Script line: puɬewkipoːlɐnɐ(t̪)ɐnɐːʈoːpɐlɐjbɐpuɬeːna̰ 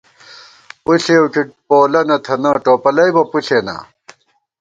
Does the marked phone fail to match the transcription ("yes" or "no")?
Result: yes